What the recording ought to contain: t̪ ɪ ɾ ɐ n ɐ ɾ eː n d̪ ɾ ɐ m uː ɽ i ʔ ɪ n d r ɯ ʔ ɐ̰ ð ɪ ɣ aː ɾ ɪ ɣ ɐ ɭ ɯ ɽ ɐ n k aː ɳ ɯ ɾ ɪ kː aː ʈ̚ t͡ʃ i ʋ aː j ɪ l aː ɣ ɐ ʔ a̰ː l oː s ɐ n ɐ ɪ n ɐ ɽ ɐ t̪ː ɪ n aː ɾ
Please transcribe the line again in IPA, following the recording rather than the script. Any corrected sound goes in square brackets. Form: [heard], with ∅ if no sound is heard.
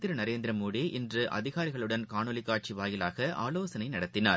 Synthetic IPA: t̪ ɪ ɾ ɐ n ɐ ɾ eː n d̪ ɾ ɐ m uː ɽ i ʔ ɪ n d r ɯ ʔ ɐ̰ ð ɪ ɣ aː ɾ ɪ ɣ ɐ ɭ ɯ ɽ ɐ n k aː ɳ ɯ [l] ɪ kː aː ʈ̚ t͡ʃ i ʋ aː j ɪ l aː ɣ ɐ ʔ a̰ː l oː s ɐ n ɐ ɪ n ɐ ɽ ɐ t̪ː ɪ n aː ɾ

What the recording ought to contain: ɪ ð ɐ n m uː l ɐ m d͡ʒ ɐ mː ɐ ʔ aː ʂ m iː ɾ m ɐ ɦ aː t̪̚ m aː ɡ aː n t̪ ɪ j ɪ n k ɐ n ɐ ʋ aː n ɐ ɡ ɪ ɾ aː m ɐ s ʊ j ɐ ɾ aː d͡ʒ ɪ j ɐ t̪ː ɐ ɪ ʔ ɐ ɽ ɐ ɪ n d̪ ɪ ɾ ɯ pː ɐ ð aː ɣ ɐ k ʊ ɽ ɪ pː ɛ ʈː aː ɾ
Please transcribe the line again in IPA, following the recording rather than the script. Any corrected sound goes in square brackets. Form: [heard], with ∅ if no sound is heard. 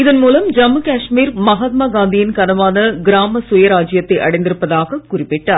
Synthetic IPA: ɪ ð ɐ n m uː l ɐ m d͡ʒ ɐ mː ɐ [k] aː ʂ m iː ɾ m ɐ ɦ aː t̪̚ m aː ɡ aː n [d̪] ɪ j ɪ n k ɐ n ɐ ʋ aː n ɐ ɡ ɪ ɾ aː m ɐ s ʊ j ɐ ɾ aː d͡ʒ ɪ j ɐ t̪ː ɐ ɪ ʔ ɐ ɽ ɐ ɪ n d̪ ɪ ɾ ɯ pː ɐ ð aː ɣ ɐ k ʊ [r] ɪ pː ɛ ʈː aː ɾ

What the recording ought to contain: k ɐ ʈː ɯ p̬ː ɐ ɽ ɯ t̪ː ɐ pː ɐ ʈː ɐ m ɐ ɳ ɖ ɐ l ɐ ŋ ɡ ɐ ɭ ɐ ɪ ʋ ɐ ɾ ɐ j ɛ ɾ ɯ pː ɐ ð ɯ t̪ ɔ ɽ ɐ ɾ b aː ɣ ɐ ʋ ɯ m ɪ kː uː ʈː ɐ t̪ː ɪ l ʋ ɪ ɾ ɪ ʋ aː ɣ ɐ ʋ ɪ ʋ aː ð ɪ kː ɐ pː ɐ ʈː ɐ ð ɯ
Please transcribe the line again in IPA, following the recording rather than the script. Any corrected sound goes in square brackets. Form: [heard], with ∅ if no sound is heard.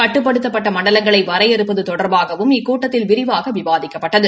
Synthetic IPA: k ɐ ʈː ɯ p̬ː ɐ ɽ ɯ t̪ː ɐ pː ɐ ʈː ɐ m ɐ ɳ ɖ ɐ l ɐ ŋ ɡ ɐ ɭ ɐ ɪ ʋ ɐ ɾ ɐ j ɛ ɾ ɯ pː ɐ ð ɯ t̪ ɔ ɽ ɐ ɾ b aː ɣ ɐ ʋ ɯ m ɪ kː uː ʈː ɐ t̪ː ɪ l ʋ ɪ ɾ ɪ ʋ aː ɣ ɐ ʋ ɪ ʋ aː ð ɪ kː ɐ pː ɐ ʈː ɐ ð ɯ

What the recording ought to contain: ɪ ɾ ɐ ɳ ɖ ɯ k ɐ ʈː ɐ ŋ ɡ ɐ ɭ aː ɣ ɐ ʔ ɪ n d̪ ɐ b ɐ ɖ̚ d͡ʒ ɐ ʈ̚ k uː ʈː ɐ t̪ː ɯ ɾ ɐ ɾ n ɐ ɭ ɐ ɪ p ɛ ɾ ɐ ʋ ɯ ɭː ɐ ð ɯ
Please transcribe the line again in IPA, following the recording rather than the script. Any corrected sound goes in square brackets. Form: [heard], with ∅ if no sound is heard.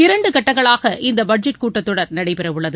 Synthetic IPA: ɪ ɾ ɐ ɳ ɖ ɯ k ɐ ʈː ɐ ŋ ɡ ɐ ɭ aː ɣ ɐ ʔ ɪ n d̪ ɐ b ɐ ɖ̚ d͡ʒ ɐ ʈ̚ k uː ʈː ɐ t̪ː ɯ [ɽ] ɐ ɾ n ɐ [ɽ] ɐ ɪ p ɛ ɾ ɐ ʋ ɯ ɭː ɐ ð ɯ

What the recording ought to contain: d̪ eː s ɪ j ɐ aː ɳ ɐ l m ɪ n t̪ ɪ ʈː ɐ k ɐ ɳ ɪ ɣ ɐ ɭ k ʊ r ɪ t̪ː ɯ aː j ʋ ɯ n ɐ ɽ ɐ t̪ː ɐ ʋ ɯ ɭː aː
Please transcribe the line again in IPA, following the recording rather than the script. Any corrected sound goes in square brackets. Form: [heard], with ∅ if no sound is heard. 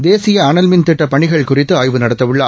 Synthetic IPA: d̪ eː s ɪ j ɐ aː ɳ ɐ l m ɪ n t̪ ɪ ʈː ɐ [p] ɐ ɳ ɪ ɣ ɐ ɭ k ʊ r ɪ t̪ː ɯ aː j ʋ ɯ n ɐ ɽ ɐ t̪ː ɐ ʋ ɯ ɭː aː

